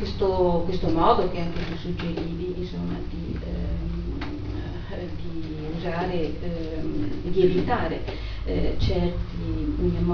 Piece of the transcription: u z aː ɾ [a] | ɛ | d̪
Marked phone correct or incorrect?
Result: incorrect